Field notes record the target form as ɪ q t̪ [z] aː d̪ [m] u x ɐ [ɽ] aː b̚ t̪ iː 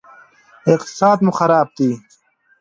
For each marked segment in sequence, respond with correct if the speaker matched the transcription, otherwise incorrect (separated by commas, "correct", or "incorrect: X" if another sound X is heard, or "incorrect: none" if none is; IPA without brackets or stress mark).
incorrect: s, correct, incorrect: ɾ